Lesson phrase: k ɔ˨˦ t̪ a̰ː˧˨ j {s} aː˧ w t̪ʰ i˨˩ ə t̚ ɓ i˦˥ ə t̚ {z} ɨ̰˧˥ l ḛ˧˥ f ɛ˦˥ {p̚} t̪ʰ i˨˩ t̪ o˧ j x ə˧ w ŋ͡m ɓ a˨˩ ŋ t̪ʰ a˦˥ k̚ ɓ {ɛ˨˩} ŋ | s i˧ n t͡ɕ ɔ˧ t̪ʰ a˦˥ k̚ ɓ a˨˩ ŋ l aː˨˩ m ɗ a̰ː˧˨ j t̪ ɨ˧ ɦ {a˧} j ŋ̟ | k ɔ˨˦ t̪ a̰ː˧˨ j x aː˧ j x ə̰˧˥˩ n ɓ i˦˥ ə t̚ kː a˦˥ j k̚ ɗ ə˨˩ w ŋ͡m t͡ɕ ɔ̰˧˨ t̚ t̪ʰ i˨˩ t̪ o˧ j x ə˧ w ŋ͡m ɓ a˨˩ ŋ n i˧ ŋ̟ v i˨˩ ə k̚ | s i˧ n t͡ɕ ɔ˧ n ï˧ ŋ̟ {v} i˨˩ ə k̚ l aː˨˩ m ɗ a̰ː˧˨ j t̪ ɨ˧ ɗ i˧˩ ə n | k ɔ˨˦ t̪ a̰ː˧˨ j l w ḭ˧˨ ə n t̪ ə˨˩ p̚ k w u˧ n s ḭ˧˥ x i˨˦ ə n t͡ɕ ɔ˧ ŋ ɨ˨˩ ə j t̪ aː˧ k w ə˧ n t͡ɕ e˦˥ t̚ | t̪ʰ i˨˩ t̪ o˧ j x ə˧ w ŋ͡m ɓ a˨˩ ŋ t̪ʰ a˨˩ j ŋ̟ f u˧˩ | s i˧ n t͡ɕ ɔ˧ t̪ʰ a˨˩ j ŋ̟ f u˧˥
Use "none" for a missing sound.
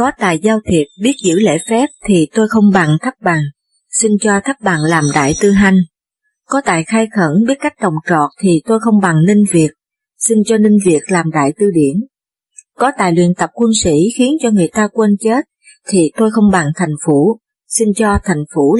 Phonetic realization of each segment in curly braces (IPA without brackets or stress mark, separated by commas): z, z, p̚, a˨˩, a˧, v